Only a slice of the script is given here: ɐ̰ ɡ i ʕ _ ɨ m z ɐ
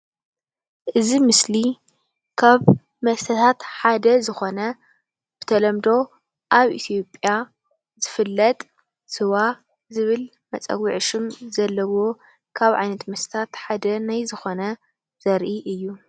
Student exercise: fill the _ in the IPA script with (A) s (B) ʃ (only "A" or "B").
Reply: B